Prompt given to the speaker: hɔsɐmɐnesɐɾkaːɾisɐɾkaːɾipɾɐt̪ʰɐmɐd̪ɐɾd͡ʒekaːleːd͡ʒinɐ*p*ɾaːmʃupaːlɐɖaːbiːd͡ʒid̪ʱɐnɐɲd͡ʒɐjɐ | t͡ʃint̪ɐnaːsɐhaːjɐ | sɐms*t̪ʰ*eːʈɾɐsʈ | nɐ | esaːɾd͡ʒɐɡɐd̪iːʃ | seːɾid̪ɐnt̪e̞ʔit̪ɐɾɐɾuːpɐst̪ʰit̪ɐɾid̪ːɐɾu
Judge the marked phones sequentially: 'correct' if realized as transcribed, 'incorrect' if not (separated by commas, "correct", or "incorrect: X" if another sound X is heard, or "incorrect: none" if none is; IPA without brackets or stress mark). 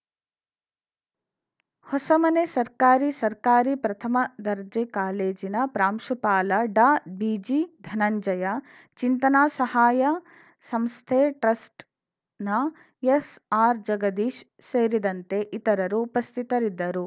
correct, correct